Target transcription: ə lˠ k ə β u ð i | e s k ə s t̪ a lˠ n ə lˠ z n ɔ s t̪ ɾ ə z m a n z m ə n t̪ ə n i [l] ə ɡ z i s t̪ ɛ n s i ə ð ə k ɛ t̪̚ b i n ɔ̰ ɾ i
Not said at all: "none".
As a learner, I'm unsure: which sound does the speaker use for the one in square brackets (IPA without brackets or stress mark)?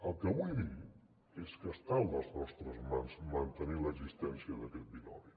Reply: l